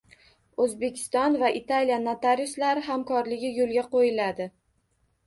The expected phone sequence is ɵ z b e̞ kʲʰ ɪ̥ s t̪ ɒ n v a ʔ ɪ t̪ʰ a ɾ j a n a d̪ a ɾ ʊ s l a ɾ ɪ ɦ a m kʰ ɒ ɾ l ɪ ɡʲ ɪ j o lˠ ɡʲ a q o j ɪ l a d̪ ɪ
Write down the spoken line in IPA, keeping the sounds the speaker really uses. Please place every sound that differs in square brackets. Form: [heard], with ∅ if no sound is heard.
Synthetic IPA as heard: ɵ z b e̞ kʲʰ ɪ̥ s t̪ ɒ n v a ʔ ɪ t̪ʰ a [l] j a n a [t̪] a ɾ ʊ s l a ɾ ɪ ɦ a m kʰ ɒ ɾ l ɪ ɡʲ ɪ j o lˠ ɡʲ a q o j ɪ l a d̪ ɪ